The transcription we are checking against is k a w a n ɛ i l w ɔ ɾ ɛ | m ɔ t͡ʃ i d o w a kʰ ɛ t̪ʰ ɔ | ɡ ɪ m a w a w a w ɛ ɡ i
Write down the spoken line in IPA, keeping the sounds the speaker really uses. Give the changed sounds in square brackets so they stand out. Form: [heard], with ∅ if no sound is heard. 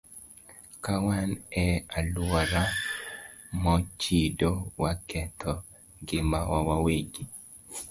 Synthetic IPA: k a w a n ɛ [a] l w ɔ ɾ [a] | m ɔ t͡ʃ i d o w a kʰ ɛ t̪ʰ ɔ | ɡ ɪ m a w a w a w [e] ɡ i

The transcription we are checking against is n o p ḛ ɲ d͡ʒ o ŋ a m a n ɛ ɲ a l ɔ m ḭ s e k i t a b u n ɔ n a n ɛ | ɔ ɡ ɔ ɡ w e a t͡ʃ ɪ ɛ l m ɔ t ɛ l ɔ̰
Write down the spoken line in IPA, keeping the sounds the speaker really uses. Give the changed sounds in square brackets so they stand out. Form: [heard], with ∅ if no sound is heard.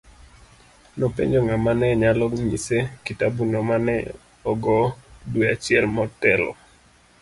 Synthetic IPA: n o p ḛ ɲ d͡ʒ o ŋ a m a n ɛ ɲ a l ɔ [ɲ] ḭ s e k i t a b u n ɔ [m] a n ɛ | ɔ ɡ ɔ [d] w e a t͡ʃ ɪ ɛ l m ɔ t ɛ l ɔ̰

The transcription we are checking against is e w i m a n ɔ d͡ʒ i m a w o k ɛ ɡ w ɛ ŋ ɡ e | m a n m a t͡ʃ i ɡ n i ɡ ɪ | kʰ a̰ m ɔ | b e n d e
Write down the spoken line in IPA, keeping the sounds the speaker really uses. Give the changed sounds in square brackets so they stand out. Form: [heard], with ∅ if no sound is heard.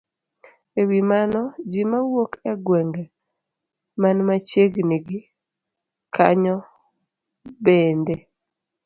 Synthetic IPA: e w i m a n ɔ d͡ʒ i m a w o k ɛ ɡ w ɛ ŋ ɡ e | m a n m a t͡ʃ [e] ɡ n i ɡ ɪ | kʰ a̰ [ɲ] ɔ | b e n d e

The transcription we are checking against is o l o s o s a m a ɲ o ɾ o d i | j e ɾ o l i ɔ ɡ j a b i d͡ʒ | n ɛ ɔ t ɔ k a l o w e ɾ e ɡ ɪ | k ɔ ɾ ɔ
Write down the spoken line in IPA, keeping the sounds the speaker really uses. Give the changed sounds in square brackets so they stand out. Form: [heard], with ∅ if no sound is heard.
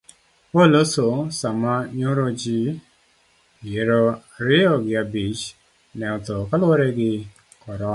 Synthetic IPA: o l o s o s a m a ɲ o ɾ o [d͡ʒ] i | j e ɾ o [ɾ] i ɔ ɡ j a b i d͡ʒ | n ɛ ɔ t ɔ k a l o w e ɾ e ɡ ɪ | k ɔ ɾ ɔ

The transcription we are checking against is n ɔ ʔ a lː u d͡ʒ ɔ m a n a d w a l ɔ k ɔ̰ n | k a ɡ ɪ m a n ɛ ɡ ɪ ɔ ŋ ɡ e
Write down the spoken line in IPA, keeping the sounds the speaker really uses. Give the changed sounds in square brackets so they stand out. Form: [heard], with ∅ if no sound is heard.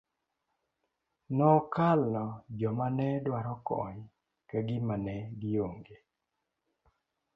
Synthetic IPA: n ɔ [k] a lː [ɔ] d͡ʒ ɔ m a n [ɛ] d w a [ɾ] ɔ k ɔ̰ [ɲ] | k a ɡ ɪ m a n ɛ ɡ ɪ [o] ŋ ɡ e

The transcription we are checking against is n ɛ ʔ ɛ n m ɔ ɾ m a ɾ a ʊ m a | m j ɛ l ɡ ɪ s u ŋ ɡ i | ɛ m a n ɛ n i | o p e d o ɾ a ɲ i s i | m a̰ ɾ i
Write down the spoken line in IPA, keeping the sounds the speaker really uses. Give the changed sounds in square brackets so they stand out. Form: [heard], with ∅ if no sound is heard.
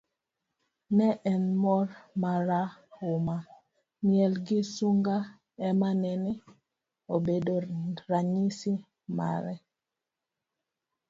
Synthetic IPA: n ɛ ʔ ɛ n m ɔ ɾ m a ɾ a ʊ m a | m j ɛ l ɡ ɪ s u ŋ ɡ [a] | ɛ m a n ɛ n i | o [b] e d o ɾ a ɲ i s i | m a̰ ɾ [ɛ]

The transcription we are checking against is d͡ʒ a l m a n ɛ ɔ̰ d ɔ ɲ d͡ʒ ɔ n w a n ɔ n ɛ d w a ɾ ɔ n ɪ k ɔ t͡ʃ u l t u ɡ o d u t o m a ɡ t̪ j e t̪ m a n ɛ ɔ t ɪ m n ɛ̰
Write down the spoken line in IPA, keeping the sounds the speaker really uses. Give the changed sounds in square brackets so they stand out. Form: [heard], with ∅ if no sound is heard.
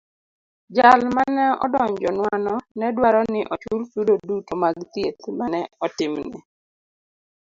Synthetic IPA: d͡ʒ a l m a n ɛ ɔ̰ d ɔ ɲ d͡ʒ ɔ n w a n ɔ n ɛ d w a ɾ ɔ n ɪ [ʔ] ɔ t͡ʃ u l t u [d] o d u t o m a ɡ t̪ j e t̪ m a n ɛ ɔ t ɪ m n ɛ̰

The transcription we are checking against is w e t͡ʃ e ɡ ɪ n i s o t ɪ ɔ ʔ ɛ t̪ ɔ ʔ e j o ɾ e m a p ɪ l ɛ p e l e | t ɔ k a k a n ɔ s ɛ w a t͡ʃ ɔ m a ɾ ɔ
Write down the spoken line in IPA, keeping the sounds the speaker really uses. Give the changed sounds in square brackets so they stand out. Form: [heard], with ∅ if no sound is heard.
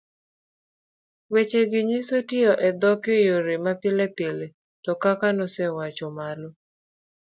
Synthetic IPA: w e t͡ʃ e ɡ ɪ [ɲ] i s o t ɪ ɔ ʔ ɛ [d̪] ɔ [k] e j o ɾ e m a p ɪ l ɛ p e l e | t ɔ k a k a n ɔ s ɛ w a t͡ʃ ɔ m a [l] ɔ

